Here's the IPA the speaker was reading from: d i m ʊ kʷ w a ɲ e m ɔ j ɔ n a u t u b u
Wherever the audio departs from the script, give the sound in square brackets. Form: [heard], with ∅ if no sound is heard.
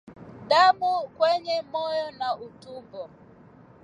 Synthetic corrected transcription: d [a] m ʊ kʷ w [e] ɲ e m ɔ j ɔ n a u t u b [ɔ]